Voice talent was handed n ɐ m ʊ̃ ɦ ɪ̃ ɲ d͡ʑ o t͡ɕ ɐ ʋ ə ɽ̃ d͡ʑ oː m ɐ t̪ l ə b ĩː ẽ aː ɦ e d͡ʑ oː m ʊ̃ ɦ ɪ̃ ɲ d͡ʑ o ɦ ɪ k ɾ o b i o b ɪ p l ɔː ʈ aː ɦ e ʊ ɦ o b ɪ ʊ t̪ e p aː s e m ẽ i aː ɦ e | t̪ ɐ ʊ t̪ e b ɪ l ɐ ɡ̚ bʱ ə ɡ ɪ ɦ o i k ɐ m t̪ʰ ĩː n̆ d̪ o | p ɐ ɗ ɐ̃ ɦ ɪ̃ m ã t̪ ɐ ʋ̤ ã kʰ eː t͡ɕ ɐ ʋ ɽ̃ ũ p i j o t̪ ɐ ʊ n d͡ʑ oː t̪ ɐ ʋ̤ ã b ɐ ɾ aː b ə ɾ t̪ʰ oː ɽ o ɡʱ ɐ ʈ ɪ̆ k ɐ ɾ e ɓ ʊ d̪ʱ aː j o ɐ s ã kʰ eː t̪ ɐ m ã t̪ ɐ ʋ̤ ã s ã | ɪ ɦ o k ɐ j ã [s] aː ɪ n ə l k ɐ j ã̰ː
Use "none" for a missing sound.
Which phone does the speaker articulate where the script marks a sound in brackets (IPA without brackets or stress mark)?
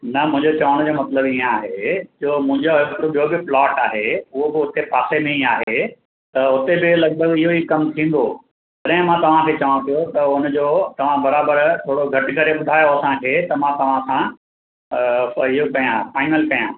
f